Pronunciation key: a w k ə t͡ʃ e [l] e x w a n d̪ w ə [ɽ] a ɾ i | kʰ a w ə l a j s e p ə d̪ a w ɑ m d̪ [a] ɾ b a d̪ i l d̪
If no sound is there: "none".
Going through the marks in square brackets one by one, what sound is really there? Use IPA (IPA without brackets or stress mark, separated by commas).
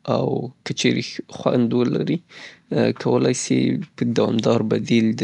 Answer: ɾ, l, ɑ